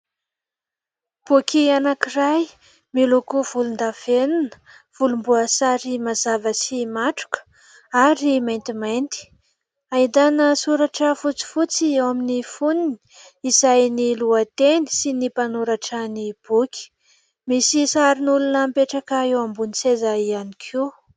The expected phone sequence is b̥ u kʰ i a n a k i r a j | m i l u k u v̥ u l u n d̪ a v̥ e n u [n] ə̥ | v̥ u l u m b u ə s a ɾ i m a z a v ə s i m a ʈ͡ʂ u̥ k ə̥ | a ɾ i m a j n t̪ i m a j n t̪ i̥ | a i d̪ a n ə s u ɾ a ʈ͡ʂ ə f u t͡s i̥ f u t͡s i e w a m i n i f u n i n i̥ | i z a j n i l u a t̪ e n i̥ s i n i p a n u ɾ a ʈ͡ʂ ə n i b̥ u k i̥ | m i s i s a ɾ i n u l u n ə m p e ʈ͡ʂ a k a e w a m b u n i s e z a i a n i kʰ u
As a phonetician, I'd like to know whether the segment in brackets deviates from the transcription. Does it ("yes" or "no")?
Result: no